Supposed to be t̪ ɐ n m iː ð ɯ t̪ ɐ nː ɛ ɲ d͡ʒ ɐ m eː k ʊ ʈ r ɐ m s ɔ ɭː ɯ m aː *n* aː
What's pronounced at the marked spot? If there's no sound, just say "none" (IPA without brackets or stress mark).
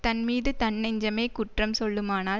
n